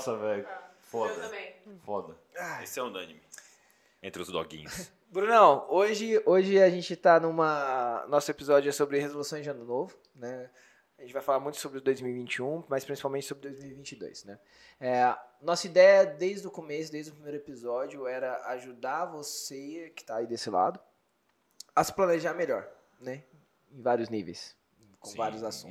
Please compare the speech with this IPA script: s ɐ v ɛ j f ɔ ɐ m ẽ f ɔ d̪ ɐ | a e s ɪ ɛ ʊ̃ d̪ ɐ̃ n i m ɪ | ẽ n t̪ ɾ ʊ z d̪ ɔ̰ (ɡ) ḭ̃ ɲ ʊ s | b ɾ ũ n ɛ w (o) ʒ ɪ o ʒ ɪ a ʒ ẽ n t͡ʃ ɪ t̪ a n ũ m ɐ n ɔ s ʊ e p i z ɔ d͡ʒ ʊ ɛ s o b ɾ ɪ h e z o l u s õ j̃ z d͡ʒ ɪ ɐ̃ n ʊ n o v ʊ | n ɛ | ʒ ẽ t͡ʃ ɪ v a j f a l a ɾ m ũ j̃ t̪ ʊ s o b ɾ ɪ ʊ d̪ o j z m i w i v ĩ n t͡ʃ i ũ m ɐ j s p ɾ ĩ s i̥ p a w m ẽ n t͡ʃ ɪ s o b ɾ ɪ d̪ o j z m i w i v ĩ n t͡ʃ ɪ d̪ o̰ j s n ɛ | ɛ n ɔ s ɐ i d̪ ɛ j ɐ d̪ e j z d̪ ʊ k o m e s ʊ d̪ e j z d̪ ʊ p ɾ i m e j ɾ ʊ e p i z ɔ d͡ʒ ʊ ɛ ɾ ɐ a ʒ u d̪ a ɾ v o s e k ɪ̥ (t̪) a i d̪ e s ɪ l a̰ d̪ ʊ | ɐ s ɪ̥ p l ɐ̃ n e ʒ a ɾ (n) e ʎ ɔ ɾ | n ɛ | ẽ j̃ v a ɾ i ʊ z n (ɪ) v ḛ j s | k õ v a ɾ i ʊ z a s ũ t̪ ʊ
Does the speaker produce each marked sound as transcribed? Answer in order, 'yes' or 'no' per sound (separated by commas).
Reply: yes, yes, yes, no, no